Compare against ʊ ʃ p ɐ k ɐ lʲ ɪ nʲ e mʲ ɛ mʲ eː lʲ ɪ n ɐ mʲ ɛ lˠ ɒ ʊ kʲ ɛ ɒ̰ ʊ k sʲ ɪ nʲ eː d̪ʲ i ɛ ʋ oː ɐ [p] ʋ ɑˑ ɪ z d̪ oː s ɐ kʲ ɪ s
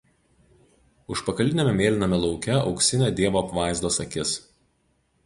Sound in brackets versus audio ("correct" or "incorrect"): correct